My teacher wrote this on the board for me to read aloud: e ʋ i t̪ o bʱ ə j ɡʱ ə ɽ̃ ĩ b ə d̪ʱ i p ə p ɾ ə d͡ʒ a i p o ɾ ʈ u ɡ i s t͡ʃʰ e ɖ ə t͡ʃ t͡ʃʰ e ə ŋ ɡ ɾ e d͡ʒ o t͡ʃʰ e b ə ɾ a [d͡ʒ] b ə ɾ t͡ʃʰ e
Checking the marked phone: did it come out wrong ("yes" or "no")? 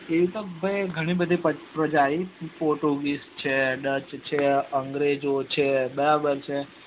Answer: yes